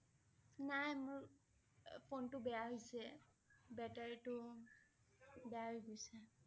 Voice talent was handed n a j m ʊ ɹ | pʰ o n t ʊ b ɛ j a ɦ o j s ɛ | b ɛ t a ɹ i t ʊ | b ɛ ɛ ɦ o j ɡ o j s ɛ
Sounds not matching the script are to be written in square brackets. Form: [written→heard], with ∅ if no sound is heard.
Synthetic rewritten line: n a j m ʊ ɹ | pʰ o n t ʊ b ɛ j a ɦ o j s ɛ | b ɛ t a ɹ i t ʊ | b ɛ [ɛ→a] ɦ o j ɡ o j s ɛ